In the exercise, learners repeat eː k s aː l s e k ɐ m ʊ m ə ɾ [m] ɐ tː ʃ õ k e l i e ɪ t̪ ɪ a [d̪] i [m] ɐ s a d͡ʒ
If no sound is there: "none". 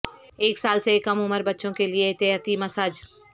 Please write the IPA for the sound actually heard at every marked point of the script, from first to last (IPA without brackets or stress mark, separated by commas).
b, t̪, m